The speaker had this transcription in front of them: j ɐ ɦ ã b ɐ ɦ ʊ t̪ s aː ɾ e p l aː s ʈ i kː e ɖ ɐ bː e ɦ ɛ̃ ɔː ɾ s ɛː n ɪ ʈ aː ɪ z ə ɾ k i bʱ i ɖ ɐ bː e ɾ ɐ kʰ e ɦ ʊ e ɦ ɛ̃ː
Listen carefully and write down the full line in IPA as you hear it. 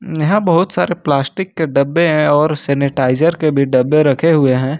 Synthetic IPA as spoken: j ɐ ɦ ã b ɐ ɦ ʊ t̪ s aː ɾ e p l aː s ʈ ɪ kː e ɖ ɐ bː e ɦ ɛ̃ ɔː ɾ s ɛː n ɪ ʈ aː ɪ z ə ɾ k e bʱ i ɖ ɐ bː e ɾ ɐ kʰ e ɦ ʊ e ɦ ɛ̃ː